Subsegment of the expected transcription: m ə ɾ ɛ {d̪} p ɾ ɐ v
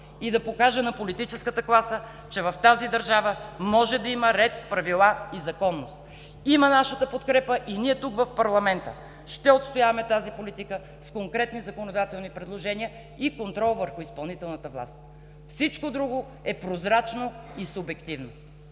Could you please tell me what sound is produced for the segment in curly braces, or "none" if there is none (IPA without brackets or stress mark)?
t̪